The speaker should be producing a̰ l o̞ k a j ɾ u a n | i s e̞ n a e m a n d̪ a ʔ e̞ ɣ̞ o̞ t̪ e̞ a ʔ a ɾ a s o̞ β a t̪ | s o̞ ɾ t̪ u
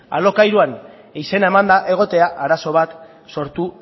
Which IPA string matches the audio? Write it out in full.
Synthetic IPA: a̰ l o̞ k a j ɾ u a n | i s e̞ n a e m a n d̪ a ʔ e̞ ɣ̞ o̞ t̪ e̞ a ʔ a ɾ a s o̞ β a t̪ | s o̞ ɾ t̪ u